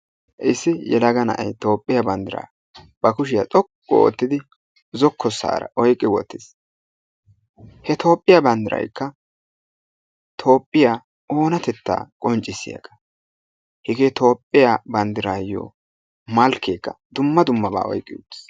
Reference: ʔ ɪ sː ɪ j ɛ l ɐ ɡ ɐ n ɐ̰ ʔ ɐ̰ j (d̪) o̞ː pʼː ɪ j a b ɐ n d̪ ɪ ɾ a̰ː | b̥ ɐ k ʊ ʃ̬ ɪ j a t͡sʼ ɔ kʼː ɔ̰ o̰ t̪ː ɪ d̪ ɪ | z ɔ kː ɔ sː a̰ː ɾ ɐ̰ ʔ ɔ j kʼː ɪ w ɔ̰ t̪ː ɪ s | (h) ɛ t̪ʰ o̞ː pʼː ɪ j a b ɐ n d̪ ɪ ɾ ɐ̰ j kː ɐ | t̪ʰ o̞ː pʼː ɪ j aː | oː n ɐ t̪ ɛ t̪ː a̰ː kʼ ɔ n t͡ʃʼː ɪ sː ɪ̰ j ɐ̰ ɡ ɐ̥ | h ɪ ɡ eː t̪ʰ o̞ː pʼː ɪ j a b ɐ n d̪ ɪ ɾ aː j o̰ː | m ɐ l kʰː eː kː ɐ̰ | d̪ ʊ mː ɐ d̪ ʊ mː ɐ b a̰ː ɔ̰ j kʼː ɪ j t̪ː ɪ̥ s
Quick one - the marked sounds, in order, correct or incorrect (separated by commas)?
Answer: incorrect, correct